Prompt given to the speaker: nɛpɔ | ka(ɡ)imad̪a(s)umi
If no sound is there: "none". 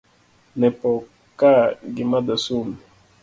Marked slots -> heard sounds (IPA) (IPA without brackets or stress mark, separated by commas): ɡ, s